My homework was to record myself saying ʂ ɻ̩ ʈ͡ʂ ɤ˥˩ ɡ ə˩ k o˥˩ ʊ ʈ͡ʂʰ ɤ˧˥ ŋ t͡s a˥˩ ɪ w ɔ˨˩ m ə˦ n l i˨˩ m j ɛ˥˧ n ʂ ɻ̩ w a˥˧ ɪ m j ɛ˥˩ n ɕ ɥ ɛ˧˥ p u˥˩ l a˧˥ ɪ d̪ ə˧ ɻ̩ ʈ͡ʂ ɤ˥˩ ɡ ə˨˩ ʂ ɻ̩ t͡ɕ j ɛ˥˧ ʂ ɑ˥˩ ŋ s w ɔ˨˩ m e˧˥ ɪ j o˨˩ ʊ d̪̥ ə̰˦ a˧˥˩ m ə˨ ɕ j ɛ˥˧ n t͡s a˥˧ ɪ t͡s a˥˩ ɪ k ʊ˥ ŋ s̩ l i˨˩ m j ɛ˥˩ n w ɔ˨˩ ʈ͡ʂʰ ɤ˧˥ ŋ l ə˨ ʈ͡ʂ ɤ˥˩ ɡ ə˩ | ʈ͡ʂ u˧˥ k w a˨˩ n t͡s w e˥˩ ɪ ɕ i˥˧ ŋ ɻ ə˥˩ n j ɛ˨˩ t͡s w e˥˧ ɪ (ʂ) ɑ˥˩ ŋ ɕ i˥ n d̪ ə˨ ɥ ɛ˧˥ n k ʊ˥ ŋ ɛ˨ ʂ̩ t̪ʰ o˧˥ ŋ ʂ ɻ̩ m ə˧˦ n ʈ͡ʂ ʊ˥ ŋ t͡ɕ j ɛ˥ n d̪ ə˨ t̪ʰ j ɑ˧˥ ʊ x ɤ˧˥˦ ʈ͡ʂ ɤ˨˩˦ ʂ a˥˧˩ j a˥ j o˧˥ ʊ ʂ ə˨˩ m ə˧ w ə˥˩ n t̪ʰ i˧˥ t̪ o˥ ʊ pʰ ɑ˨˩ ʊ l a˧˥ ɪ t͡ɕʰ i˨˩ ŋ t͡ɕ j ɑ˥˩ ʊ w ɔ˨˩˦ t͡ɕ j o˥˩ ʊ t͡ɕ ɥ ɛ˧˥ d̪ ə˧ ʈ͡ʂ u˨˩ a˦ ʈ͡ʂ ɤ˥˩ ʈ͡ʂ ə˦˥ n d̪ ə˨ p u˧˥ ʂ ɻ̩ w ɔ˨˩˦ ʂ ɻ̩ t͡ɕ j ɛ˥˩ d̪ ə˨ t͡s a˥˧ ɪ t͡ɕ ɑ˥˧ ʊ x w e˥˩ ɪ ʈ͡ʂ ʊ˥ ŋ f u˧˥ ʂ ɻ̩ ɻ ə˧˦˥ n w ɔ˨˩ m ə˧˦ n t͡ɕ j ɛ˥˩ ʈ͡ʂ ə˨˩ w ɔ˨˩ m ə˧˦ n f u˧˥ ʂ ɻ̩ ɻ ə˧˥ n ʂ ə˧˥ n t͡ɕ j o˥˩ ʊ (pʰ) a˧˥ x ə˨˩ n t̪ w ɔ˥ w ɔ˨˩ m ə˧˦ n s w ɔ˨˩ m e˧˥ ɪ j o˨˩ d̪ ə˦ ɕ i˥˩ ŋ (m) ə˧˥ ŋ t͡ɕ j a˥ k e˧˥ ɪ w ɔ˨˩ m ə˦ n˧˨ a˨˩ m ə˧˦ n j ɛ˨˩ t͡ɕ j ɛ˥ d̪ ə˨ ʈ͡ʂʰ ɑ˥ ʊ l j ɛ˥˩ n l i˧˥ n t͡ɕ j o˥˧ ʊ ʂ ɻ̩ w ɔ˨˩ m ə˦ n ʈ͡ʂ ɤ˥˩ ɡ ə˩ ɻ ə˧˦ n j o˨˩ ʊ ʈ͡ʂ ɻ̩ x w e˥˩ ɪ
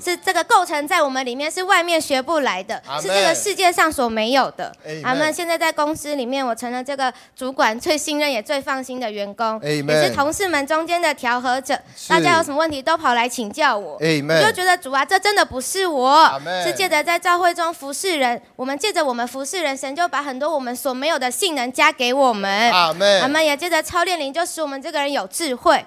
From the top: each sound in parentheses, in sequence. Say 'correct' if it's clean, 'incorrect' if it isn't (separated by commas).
incorrect, incorrect, incorrect